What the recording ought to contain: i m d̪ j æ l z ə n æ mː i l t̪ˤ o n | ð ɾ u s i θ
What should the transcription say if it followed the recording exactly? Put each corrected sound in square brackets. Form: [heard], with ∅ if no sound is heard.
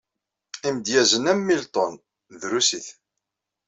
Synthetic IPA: i m d̪ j æ [∅] z ə n æ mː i l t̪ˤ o n | ð ɾ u s i θ

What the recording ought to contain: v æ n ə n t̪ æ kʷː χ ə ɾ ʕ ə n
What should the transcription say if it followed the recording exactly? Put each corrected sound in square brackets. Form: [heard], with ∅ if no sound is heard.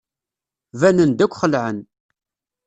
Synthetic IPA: v æ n ə n [d̪] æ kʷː χ ə [l] ʕ ə n

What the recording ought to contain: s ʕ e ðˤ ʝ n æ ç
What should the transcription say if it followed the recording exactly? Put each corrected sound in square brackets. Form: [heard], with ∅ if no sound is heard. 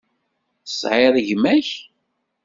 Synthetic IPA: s ʕ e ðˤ ʝ [m] æ ç

